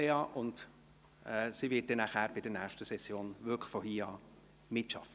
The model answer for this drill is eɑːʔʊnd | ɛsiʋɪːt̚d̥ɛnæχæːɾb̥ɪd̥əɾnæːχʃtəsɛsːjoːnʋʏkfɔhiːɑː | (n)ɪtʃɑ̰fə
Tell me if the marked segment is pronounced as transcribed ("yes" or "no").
no